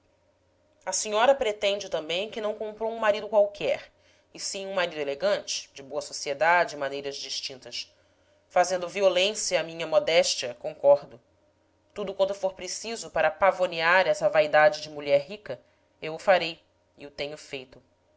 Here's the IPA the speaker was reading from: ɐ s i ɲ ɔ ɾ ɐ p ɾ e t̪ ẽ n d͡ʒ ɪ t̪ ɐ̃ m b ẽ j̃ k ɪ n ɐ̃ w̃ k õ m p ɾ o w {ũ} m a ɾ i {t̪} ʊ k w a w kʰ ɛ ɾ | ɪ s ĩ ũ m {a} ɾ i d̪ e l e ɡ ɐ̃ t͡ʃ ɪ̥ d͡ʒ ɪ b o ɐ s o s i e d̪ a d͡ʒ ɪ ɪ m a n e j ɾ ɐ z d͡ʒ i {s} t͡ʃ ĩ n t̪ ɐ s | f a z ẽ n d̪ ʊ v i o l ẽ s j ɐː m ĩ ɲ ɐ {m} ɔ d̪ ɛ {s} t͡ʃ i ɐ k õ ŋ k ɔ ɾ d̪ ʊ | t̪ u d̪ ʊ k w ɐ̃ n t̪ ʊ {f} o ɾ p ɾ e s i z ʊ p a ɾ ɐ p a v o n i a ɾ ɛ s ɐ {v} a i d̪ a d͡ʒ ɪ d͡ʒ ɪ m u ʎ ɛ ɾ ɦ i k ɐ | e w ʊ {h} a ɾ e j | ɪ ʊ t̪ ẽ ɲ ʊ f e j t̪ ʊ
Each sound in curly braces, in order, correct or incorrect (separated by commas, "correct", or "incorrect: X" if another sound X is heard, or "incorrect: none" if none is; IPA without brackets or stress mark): correct, incorrect: d̪, correct, incorrect: ʃ, correct, incorrect: ʃ, correct, correct, incorrect: f